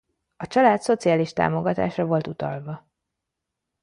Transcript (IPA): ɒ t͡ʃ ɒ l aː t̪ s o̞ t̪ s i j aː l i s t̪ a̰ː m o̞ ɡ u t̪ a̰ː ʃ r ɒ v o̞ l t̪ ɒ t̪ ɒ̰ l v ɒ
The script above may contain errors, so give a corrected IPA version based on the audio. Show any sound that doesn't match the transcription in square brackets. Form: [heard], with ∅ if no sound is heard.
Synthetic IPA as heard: ɒ t͡ʃ ɒ l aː t̪ s o̞ t̪ s i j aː l i [ʃ] t̪ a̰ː m o̞ ɡ [ɒ] t̪ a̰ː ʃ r ɒ v o̞ l t̪ [u] t̪ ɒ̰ l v ɒ